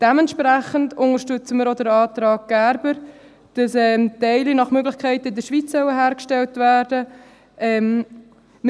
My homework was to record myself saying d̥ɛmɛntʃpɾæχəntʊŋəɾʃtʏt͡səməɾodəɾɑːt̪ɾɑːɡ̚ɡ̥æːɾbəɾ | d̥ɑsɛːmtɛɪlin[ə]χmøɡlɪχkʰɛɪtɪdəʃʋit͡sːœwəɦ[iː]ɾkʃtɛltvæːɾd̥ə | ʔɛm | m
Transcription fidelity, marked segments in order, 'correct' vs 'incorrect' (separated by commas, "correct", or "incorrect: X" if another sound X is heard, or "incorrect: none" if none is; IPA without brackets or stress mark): incorrect: ɑ, incorrect: æː